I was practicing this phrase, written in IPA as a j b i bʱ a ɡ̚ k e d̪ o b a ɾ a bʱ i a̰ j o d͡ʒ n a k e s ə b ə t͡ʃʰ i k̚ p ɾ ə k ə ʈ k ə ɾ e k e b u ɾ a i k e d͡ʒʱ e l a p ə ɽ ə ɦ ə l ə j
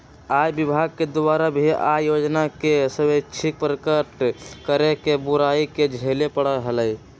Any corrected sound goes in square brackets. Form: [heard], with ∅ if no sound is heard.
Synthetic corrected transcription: a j b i bʱ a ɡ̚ k e d̪ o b a ɾ a bʱ i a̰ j o d͡ʒ n a k e s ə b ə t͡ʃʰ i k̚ p ɾ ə k ə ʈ k ə ɾ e k e b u ɾ a i k e d͡ʒʱ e l [e] p ə ɽ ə ɦ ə l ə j